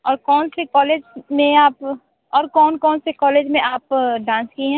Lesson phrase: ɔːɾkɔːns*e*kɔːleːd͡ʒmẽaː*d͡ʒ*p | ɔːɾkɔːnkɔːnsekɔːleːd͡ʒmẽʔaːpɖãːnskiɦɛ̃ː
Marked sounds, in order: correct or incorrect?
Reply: correct, incorrect: none

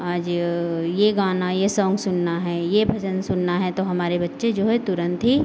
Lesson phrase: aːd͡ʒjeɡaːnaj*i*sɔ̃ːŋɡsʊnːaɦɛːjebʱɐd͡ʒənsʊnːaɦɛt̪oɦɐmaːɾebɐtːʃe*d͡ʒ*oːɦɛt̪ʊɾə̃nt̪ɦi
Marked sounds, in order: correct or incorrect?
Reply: incorrect: e, correct

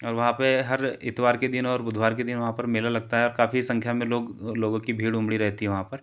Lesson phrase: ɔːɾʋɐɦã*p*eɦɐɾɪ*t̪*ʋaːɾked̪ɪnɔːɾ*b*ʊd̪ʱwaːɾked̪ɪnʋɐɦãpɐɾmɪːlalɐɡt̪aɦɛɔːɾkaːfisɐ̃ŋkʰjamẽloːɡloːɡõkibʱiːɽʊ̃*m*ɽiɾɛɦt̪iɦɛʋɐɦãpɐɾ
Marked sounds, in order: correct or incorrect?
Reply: correct, correct, correct, correct

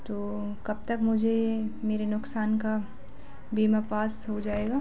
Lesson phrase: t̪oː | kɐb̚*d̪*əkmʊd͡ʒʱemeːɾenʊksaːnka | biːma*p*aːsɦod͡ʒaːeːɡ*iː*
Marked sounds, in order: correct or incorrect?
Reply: incorrect: t̪, correct, incorrect: aː

